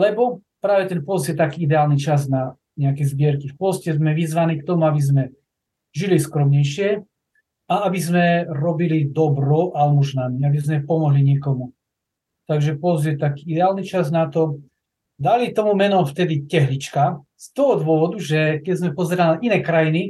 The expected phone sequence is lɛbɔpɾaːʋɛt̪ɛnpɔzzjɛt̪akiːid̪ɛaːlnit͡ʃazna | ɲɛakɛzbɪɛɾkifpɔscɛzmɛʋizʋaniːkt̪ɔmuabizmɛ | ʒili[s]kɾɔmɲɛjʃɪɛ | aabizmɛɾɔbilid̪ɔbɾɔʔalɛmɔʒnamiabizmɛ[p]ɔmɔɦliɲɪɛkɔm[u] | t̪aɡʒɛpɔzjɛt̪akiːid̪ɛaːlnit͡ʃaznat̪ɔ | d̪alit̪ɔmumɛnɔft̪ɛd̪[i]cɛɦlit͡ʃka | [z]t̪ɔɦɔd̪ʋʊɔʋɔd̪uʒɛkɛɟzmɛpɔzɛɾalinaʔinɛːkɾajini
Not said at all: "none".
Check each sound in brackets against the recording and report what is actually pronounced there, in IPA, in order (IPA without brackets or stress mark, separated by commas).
s, p, u, i, s